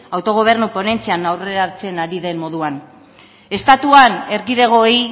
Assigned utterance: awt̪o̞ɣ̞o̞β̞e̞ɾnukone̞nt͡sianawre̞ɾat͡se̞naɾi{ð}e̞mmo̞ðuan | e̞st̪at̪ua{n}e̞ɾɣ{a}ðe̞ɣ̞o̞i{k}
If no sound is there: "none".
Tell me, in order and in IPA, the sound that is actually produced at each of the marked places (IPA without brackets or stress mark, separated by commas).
ð, n, i, none